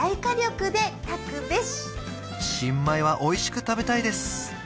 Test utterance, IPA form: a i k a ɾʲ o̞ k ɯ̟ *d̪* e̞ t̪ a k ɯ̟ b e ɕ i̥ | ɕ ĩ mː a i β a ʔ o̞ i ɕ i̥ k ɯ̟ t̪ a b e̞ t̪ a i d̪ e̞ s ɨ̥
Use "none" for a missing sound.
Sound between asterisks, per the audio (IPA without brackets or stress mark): d̪